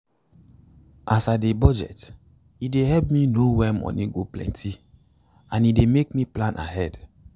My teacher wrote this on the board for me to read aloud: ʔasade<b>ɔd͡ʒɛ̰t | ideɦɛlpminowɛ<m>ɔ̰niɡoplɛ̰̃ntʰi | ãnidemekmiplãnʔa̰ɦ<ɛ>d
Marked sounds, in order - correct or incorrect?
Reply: correct, correct, correct

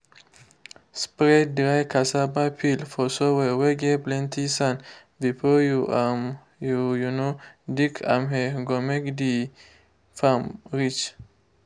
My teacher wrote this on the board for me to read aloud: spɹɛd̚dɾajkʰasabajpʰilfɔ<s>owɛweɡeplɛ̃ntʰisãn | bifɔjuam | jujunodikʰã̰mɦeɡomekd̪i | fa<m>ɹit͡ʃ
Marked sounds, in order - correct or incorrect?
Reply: correct, correct

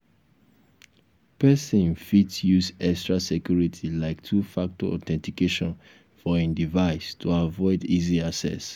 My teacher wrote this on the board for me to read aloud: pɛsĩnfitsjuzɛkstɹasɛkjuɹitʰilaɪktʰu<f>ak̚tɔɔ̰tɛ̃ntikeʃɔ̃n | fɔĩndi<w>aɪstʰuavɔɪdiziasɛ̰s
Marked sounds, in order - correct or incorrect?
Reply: correct, incorrect: v

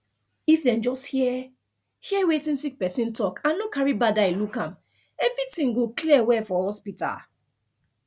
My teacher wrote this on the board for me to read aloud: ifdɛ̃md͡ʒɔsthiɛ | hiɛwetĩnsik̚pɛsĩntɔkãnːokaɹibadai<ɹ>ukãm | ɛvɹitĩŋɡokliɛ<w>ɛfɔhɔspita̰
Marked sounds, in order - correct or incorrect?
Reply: incorrect: l, correct

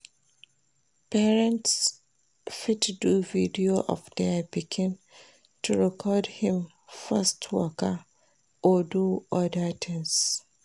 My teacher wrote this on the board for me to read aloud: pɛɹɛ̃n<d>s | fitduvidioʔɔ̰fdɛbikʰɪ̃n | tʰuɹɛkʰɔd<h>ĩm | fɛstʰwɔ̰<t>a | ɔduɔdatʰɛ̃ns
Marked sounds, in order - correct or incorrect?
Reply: incorrect: t, correct, incorrect: k

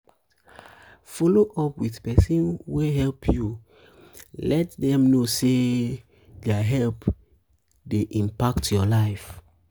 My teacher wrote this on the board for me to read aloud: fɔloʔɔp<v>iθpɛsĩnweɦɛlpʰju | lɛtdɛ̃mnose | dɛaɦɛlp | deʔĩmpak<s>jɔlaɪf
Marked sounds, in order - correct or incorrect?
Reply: incorrect: w, incorrect: t

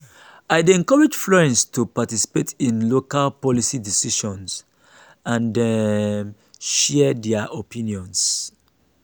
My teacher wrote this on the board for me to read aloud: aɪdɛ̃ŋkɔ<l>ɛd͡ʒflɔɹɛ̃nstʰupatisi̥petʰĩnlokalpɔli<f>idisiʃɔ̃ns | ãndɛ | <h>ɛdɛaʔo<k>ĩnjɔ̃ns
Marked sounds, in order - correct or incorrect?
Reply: incorrect: ɹ, incorrect: s, incorrect: ʃ, incorrect: p

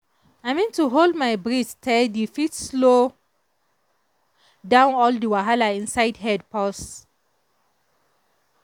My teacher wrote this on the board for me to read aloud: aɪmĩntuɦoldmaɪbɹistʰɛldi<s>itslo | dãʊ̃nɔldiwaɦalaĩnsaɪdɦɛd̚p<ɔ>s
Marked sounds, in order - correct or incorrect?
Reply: incorrect: f, correct

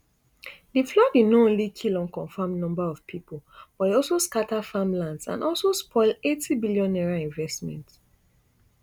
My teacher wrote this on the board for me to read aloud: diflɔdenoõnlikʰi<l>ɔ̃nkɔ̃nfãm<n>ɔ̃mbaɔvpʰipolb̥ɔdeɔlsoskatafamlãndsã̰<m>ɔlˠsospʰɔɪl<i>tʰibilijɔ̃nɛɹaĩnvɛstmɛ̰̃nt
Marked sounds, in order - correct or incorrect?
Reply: correct, correct, incorrect: n, incorrect: e

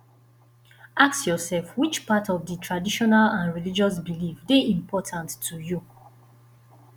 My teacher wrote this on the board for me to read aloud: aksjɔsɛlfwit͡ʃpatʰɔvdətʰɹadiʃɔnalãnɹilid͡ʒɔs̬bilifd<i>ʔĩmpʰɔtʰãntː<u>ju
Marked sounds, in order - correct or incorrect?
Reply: incorrect: e, correct

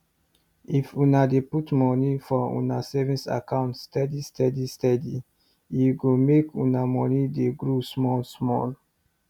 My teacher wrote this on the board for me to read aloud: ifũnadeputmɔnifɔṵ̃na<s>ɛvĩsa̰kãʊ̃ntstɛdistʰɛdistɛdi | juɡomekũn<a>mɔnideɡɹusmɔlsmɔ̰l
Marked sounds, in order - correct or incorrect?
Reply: correct, correct

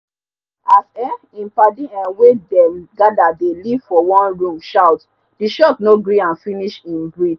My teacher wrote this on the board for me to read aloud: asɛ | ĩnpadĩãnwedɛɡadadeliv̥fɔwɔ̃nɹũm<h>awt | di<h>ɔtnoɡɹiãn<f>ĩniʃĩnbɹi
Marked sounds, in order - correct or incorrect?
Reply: incorrect: ʃ, incorrect: ʃ, correct

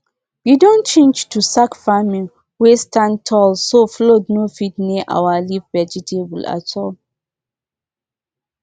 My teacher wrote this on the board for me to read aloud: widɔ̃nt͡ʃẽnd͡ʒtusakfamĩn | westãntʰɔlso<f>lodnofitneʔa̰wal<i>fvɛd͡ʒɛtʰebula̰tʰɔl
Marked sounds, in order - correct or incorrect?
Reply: correct, correct

